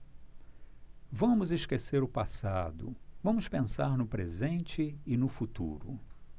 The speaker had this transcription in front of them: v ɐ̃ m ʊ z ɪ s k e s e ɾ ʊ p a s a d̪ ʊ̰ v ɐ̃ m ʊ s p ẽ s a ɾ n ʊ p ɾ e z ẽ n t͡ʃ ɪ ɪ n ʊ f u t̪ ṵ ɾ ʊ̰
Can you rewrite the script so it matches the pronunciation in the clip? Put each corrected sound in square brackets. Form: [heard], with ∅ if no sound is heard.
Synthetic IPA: v ɐ̃ m ʊ z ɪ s k e s e ɾ ʊ p a s a d̪ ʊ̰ v ɐ̃ m ʊ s p ẽ s a ɾ n ʊ p ɾ e z ẽ n t͡ʃ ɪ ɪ n ʊ f u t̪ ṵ ɾ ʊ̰